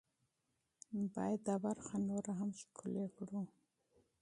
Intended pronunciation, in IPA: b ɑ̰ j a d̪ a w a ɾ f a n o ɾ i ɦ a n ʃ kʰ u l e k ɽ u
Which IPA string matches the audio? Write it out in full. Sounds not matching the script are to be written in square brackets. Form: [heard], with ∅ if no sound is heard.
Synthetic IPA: b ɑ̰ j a d̪ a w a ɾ [x] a n o ɾ [a] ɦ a [m] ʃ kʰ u l e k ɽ u